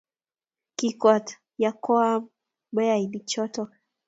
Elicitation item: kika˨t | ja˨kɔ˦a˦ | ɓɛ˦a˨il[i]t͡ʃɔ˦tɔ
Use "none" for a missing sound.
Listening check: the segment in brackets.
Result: i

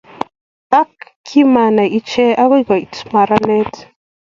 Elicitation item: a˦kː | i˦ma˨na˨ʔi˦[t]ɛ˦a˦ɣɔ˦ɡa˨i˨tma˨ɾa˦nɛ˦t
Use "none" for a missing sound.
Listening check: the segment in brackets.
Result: t͡ʃ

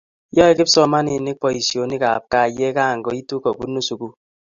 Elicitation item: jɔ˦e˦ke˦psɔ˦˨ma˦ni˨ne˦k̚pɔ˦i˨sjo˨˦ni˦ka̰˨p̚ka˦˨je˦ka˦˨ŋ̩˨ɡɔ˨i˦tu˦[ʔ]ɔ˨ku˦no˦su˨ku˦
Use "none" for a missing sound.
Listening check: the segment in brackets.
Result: k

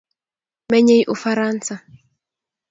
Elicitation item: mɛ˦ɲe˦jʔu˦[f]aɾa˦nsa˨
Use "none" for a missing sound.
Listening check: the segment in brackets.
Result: f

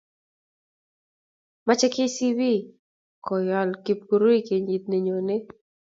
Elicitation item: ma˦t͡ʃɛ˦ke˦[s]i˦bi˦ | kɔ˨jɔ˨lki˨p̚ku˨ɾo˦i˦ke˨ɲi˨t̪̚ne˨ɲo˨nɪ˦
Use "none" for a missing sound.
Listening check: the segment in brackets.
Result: s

